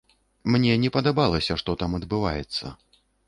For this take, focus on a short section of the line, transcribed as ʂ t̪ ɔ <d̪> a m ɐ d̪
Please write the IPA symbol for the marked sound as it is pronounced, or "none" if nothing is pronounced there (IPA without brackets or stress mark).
t̪